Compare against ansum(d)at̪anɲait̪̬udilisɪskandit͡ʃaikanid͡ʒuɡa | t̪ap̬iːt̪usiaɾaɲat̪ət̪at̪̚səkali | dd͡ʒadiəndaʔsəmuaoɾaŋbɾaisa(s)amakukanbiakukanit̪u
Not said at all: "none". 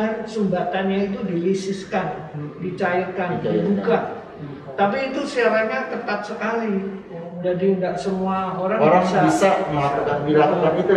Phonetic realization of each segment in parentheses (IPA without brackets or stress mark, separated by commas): b, s